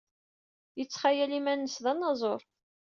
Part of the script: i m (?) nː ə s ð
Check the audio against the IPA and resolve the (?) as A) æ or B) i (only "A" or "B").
A